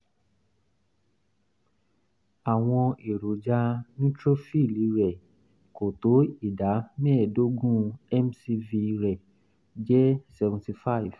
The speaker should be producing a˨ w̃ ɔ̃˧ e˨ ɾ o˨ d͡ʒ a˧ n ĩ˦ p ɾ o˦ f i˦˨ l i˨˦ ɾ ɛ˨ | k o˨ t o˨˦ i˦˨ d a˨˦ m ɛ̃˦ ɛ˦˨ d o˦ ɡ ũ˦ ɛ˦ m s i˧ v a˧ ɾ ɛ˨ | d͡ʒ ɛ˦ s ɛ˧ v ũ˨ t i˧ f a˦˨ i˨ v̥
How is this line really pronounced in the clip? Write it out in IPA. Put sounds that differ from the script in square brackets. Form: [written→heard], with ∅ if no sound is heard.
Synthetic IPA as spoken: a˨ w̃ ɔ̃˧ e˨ ɾ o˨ d͡ʒ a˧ n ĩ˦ [p→t] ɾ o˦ f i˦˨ l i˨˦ ɾ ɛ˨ | k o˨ t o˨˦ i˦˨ d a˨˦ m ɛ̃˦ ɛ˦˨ d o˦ ɡ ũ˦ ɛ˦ m s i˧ v [a˧→i˧] ɾ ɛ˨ | d͡ʒ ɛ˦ s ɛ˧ v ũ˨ t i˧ f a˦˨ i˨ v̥